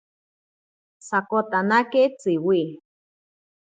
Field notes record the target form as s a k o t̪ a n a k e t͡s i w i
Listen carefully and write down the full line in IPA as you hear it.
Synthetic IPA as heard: s a k o t̪ a n a k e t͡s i w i